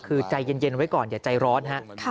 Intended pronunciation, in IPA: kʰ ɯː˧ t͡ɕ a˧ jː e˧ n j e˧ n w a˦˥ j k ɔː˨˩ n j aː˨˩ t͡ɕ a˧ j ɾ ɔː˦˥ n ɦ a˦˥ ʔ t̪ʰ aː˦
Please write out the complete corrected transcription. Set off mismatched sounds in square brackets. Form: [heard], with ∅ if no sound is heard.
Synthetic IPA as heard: kʰ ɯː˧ t͡ɕ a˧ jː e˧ n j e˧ n w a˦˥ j k ɔː˨˩ n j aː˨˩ t͡ɕ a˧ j ɾ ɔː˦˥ n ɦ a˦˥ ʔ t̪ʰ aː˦